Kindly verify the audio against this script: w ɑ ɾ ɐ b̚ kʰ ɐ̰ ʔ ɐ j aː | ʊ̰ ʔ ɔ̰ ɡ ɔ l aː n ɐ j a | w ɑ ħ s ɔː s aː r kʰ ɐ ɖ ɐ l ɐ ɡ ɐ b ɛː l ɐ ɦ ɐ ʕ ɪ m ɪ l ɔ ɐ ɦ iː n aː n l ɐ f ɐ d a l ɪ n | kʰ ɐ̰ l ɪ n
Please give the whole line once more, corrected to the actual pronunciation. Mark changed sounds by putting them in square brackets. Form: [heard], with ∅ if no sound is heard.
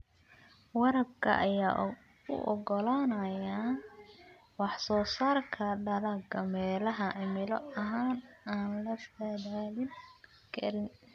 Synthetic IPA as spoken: w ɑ ɾ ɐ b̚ kʰ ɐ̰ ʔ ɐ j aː | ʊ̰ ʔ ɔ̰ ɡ ɔ l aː n ɐ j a | w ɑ ħ s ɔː s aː r kʰ ɐ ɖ ɐ l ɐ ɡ ɐ [m] ɛː l ɐ ɦ ɐ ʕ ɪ m ɪ l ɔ ɐ ɦ [aː] n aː n l ɐ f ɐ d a l ɪ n | kʰ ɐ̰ [ɾ] ɪ n